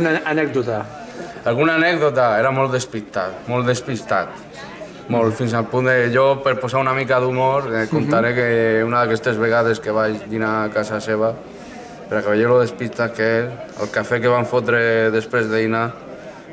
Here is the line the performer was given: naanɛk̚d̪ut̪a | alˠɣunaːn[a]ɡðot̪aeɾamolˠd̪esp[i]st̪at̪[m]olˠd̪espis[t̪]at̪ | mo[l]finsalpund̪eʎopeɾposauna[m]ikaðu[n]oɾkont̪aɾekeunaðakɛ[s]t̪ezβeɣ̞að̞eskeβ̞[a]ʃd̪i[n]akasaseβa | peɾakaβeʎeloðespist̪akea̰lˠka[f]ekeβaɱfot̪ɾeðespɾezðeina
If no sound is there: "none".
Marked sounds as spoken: ɛ, i, m, t̪, l, m, m, s, a, n, f

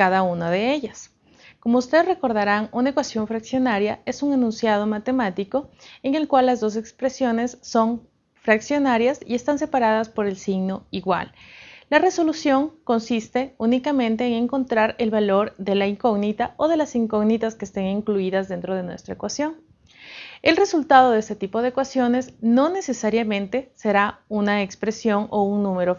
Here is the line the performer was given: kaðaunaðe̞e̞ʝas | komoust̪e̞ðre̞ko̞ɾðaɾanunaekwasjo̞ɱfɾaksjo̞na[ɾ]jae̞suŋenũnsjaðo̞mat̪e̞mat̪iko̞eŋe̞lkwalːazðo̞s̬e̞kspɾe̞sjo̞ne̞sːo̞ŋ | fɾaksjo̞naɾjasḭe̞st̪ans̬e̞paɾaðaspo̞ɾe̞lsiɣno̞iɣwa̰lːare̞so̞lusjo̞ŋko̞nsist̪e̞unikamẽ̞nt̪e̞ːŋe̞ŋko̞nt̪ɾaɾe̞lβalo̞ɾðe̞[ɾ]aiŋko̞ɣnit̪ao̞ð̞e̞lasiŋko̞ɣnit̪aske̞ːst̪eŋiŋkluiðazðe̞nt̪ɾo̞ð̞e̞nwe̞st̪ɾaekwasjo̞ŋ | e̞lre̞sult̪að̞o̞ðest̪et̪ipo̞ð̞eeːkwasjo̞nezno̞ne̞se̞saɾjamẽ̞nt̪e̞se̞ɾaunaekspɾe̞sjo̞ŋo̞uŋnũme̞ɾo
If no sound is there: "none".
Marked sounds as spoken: ɾ, l

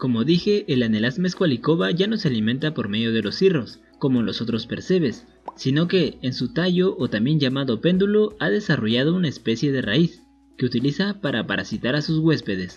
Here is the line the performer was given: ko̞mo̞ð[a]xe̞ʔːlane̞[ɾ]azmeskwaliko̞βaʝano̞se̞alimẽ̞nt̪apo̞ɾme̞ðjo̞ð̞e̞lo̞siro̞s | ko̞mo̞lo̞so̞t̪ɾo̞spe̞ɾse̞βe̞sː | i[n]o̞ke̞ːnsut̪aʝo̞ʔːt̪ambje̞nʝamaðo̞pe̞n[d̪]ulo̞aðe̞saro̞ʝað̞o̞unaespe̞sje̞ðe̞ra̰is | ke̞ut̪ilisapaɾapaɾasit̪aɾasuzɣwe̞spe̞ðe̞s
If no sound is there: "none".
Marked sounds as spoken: i, l, n, d̪

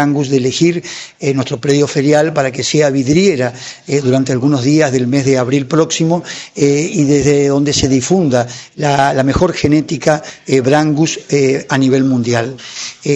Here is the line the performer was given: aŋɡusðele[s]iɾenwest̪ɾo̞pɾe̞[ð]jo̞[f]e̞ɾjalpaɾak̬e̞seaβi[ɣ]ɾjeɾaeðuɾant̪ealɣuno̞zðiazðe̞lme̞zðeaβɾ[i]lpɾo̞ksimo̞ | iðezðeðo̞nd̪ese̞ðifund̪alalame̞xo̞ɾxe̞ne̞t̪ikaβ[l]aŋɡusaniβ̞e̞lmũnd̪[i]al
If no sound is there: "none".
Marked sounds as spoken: x, ð, f, ð, i, ɾ, j

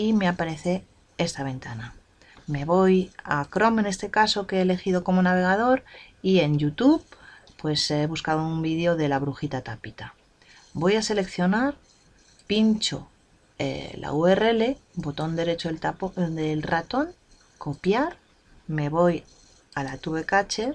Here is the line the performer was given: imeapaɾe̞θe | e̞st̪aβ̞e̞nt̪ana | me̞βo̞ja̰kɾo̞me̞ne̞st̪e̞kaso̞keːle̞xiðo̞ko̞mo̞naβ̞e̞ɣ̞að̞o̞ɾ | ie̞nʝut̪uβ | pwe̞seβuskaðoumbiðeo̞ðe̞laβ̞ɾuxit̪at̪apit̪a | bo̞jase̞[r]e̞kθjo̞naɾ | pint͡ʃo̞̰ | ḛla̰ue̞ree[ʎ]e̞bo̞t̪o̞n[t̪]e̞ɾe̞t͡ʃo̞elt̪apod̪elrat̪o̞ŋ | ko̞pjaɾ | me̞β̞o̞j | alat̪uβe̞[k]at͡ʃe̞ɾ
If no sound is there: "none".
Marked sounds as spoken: l, l, d̪, k

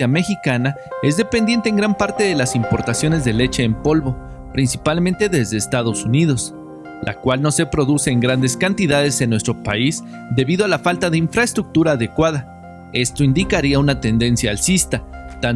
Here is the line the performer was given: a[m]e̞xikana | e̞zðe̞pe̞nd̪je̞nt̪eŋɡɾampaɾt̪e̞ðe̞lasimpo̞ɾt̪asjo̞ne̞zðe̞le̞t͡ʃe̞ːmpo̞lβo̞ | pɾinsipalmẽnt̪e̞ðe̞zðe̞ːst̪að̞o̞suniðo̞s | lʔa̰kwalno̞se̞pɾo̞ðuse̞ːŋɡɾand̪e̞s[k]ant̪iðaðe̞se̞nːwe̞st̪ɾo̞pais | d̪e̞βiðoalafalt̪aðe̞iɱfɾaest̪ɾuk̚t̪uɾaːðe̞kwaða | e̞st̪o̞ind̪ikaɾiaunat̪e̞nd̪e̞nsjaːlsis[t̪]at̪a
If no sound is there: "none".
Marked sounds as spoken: m, k, t̪

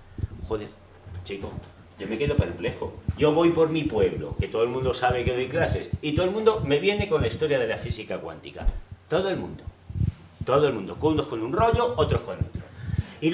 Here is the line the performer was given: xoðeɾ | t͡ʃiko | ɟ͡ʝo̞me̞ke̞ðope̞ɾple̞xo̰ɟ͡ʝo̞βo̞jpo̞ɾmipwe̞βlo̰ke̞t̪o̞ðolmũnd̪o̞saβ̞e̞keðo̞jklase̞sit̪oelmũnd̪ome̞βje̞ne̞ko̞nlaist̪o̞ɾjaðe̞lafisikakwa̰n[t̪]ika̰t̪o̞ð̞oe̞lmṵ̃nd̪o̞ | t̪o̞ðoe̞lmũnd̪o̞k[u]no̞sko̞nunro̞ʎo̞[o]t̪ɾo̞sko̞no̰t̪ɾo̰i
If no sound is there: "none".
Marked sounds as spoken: t̪, u, o

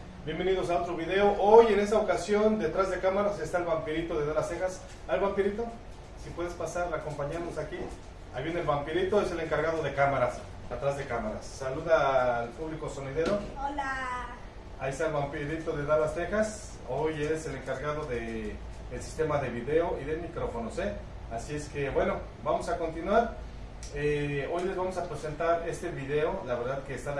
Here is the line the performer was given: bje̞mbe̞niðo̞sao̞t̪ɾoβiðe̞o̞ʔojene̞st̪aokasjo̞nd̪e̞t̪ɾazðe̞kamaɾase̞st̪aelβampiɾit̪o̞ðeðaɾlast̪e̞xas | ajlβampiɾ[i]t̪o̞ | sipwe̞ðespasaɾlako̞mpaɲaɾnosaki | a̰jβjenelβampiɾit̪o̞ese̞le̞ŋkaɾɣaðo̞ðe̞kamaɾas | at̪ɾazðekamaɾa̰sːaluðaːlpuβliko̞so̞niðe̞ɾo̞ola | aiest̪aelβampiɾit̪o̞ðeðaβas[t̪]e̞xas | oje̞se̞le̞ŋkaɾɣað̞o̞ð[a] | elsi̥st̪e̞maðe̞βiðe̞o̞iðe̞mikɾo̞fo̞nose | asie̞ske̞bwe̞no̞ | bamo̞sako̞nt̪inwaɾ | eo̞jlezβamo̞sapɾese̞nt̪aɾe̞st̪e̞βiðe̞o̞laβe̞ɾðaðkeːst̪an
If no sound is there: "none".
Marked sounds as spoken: i, t̪, e

